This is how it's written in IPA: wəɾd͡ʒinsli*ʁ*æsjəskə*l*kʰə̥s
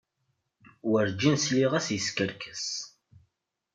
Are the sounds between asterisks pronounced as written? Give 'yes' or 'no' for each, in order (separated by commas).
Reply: yes, no